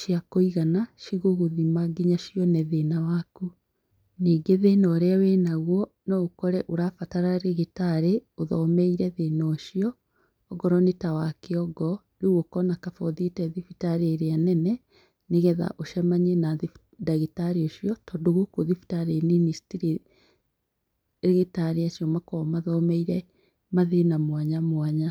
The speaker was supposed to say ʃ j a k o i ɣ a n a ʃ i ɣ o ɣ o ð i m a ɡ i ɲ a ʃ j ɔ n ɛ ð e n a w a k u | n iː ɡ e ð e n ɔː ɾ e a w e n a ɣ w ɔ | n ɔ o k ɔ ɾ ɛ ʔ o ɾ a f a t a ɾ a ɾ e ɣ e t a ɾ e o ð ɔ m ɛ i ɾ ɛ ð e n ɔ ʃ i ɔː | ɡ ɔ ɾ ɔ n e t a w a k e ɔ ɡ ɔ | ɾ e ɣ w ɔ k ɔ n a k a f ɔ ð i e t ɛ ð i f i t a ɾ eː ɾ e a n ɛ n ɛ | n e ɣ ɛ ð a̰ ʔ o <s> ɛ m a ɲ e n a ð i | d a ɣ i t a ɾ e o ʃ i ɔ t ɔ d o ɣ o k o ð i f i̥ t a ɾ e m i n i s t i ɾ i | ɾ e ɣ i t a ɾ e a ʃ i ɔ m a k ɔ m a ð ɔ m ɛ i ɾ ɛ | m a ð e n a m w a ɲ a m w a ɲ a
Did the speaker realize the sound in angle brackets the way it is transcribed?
no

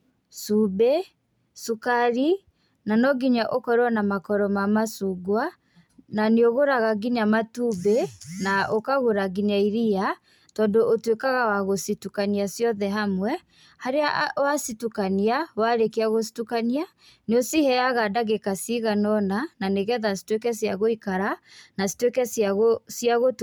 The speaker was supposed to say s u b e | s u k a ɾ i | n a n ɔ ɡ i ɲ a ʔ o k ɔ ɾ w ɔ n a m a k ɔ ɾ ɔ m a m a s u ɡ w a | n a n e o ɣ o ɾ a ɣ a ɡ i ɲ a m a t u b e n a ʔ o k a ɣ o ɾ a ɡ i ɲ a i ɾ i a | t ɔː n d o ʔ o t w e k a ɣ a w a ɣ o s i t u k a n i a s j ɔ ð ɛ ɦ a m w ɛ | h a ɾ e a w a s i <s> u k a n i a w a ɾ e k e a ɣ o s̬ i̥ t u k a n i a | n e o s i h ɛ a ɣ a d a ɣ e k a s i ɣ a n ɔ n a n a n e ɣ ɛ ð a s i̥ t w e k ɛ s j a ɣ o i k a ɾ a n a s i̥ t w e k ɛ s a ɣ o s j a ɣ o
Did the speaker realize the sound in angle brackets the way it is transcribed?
no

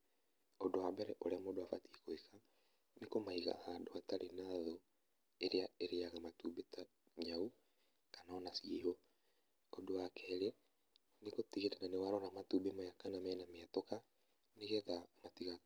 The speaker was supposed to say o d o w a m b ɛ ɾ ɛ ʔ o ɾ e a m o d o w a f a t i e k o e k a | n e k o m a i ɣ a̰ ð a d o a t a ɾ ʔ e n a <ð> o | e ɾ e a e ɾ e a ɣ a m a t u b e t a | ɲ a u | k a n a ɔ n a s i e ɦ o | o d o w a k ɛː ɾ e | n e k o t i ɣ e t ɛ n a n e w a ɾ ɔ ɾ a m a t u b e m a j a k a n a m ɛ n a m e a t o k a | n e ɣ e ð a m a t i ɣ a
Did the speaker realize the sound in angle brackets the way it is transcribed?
yes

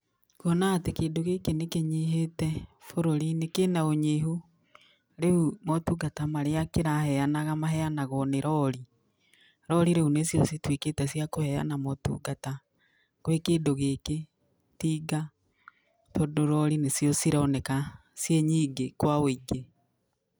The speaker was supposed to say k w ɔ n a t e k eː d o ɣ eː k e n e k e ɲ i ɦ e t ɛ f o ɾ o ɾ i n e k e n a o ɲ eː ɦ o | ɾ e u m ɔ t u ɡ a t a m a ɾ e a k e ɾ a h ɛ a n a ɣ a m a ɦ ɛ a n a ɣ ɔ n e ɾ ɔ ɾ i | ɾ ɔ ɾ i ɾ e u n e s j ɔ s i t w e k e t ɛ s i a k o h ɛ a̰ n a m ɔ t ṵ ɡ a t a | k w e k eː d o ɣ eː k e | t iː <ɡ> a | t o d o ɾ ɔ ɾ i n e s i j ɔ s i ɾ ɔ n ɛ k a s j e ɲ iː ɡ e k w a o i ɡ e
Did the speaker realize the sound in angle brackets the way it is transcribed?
yes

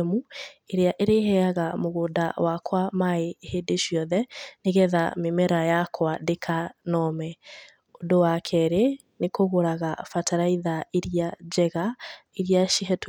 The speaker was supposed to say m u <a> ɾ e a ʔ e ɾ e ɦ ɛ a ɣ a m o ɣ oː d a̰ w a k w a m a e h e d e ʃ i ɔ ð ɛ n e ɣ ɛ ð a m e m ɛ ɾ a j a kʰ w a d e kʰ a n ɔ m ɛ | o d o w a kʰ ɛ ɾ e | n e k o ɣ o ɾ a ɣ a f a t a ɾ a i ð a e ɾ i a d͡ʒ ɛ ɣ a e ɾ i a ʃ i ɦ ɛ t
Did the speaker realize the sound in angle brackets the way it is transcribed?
no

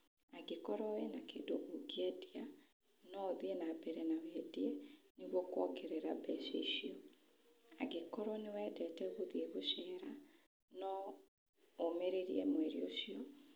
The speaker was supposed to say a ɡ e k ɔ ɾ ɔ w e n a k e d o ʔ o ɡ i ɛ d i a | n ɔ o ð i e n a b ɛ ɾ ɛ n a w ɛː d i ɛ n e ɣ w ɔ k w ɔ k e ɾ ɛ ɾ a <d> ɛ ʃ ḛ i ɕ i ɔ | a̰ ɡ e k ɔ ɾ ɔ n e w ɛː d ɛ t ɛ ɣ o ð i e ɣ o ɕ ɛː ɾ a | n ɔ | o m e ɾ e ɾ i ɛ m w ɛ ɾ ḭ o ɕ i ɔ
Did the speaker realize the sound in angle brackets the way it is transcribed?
no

